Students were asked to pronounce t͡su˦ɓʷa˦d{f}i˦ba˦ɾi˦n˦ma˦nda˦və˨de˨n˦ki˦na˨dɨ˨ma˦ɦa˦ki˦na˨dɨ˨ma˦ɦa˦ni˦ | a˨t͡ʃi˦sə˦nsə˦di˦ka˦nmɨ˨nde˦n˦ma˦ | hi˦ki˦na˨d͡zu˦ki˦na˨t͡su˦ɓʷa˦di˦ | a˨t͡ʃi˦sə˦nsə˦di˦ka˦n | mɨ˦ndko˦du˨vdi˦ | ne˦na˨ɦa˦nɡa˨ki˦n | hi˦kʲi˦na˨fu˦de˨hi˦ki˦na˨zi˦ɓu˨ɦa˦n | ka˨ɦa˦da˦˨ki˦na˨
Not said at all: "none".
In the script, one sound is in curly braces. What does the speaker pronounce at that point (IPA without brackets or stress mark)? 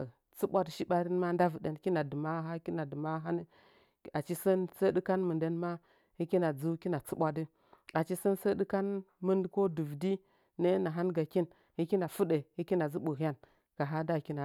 ʃ